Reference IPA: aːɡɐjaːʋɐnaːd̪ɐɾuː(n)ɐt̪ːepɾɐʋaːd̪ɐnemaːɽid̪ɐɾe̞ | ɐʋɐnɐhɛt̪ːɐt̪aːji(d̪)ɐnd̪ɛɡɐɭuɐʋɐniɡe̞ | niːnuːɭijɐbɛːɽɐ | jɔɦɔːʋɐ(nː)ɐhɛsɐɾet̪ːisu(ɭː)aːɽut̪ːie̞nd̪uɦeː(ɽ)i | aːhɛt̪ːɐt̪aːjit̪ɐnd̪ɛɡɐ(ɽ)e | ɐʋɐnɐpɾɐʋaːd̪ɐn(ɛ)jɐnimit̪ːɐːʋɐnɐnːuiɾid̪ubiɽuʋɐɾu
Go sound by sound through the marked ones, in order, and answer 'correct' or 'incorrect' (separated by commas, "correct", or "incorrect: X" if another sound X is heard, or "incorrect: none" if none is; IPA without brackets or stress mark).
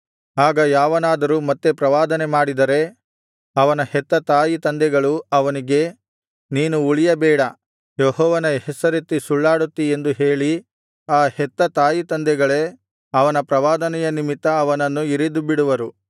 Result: incorrect: m, incorrect: t̪, incorrect: n, correct, incorrect: ɭ, incorrect: ɭ, correct